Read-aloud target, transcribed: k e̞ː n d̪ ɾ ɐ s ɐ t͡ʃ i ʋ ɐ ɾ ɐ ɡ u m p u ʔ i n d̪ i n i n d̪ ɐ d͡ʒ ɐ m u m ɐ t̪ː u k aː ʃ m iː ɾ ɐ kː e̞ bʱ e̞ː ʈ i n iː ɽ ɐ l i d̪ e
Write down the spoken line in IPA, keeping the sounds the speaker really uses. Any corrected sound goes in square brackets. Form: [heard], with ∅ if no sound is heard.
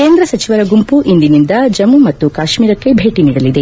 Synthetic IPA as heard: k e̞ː n d̪ ɾ ɐ s ɐ t͡ʃ i ʋ ɐ ɾ ɐ ɡ u m p u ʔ i n d̪ i n i n d̪ ɐ d͡ʒ ɐ m u m ɐ t̪ː u k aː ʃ m iː ɾ ɐ kː e̞ bʱ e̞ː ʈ i n iː ɽ ɐ l i d̪ e